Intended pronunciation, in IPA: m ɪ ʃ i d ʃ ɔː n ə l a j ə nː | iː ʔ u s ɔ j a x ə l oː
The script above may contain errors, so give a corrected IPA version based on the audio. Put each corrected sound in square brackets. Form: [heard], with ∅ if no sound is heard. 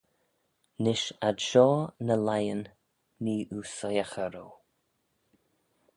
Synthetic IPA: [n] ɪ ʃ [a] d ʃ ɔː n ə l a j ə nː | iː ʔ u s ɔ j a x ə [ɾ] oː